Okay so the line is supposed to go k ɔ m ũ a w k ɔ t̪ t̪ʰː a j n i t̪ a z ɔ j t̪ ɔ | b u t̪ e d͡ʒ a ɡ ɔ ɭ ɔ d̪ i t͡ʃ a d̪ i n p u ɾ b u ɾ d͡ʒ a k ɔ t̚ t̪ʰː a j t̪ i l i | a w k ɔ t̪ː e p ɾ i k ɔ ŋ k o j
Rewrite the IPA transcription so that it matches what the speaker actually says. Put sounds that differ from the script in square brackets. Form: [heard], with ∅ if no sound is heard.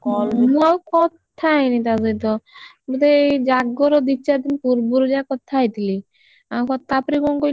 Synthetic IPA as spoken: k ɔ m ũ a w k ɔ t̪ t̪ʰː a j n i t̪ a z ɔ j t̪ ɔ | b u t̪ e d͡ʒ a ɡ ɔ [ɾ] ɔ d̪ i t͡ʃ a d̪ i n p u ɾ b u ɾ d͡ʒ a k ɔ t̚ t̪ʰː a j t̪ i l i | a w k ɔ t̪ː [a] p ɾ i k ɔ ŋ k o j